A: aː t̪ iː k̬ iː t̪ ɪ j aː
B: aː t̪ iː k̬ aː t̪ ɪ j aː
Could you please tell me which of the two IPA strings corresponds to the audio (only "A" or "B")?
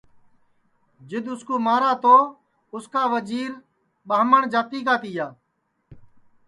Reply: B